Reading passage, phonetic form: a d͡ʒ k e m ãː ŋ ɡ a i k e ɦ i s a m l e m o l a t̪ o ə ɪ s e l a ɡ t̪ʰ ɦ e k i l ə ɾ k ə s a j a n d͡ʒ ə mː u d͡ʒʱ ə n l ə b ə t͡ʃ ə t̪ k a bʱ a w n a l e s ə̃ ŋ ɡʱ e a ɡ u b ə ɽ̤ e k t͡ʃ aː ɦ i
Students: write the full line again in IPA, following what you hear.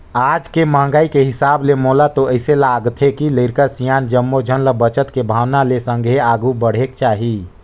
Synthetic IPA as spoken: a d͡ʒ k e m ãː ŋ ɡ a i k e ɦ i s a b l e m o l a t̪ o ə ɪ s e l a ɡ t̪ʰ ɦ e k i l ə ɾ k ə s i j a n d͡ʒ ə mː o d͡ʒʱ ə n l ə b ə t͡ʃ ə t̪ k e bʱ a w n a l e s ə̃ ŋ ɡʱ e a ɡ u b ə ɽ̤ e k t͡ʃ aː ɦ i